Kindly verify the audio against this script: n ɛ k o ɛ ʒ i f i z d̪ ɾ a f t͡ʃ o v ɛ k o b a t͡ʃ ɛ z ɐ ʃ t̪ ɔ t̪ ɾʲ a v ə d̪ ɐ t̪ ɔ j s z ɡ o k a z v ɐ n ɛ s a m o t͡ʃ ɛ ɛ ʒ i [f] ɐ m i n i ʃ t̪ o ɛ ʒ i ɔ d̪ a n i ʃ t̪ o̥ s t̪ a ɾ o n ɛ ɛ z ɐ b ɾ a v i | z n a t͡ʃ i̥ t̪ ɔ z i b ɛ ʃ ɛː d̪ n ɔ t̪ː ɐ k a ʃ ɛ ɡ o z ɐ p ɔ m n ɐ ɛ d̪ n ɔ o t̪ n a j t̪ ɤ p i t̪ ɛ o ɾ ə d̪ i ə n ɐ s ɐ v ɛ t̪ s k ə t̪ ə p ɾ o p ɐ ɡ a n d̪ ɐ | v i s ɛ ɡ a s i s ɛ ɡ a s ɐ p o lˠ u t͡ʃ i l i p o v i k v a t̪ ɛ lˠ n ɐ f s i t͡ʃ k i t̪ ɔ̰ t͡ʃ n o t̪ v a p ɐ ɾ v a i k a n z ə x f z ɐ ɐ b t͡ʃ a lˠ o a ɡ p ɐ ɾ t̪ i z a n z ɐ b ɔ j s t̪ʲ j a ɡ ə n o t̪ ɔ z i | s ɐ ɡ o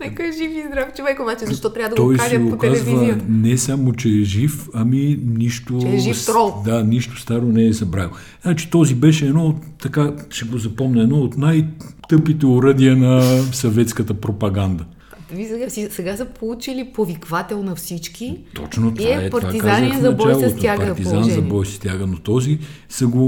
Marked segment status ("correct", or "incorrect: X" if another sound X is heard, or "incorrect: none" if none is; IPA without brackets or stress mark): correct